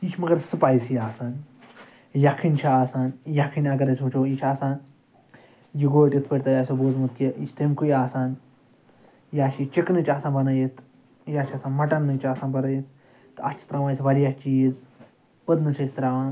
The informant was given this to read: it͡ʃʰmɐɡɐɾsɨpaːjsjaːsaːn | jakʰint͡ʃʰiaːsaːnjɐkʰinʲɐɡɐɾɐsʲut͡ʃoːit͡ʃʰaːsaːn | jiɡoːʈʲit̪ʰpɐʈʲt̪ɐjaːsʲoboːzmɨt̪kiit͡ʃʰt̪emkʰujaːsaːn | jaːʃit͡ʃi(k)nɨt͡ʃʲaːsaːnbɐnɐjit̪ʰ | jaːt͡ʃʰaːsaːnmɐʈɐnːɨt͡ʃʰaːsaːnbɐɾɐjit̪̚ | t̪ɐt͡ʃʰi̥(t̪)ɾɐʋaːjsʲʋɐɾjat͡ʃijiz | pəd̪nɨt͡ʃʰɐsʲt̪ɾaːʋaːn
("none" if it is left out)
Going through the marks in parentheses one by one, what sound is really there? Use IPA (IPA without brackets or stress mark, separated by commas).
k, t̪